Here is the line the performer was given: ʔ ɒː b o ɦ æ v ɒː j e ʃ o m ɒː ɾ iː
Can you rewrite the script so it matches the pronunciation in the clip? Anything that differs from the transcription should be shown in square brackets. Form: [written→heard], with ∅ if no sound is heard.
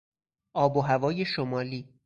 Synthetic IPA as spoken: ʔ ɒː b o ɦ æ v ɒː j e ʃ o m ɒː [ɾ→l] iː